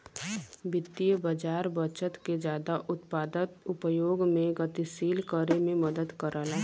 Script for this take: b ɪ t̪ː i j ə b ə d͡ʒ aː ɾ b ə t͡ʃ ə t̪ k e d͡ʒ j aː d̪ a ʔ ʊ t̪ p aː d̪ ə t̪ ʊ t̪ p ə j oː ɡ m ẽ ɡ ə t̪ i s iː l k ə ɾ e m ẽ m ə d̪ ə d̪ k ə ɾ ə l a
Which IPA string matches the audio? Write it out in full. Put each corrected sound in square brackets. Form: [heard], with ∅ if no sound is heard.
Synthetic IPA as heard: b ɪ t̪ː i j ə b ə d͡ʒ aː ɾ b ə t͡ʃ ə t̪ k e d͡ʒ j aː d̪ a ʔ ʊ t̪ p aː d̪ ə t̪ ʊ [∅] p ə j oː ɡ m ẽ ɡ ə t̪ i s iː l k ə ɾ e m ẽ m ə d̪ ə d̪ k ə ɾ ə l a